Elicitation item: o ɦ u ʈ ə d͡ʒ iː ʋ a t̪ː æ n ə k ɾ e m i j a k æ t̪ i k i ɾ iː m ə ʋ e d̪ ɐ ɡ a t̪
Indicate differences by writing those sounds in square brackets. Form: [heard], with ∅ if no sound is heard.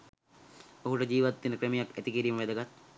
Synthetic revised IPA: o ɦ u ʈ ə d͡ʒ iː ʋ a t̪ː [i] n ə k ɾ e m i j a k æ t̪ i k i ɾ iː m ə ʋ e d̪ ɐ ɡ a t̪